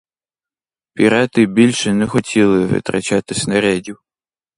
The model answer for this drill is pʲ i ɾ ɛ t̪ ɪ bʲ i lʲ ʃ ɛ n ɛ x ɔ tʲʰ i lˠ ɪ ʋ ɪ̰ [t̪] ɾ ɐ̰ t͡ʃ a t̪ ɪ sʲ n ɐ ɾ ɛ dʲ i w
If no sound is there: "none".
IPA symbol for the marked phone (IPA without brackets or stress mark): t̪